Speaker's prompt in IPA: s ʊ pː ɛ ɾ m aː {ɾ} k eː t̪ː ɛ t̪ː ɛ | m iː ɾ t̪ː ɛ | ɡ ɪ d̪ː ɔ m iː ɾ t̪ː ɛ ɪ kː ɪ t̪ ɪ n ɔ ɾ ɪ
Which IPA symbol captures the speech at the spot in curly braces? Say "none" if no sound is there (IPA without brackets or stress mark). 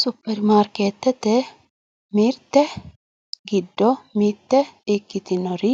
ɾ